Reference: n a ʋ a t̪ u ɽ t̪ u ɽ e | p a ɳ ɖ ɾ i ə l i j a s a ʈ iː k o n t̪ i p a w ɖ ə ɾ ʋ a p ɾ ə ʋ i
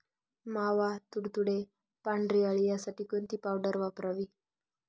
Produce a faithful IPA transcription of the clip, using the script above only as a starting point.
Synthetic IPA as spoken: m a ʋ a t̪ u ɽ t̪ u ɽ e | p a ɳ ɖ ɾ i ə ɭ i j a s a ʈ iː k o n t̪ i p a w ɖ ə ɾ ʋ a p ɾ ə ʋ i